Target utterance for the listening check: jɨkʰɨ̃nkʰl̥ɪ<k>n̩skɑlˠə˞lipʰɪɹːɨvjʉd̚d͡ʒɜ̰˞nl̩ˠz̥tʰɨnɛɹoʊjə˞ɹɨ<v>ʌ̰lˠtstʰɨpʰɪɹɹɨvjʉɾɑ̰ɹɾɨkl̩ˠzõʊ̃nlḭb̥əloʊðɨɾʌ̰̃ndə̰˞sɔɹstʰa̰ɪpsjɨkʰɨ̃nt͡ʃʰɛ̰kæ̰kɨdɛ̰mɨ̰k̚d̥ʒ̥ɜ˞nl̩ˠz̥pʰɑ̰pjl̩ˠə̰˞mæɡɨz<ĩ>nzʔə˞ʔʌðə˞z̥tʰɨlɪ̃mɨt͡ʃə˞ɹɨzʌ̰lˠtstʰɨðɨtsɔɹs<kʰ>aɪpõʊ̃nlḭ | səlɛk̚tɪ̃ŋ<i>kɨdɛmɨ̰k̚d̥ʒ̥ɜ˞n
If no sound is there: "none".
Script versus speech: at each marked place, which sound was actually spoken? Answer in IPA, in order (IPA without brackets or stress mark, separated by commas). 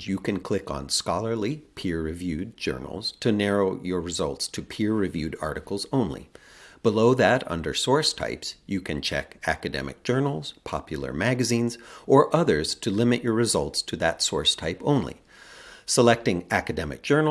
k, z, ĩ, tʰ, æ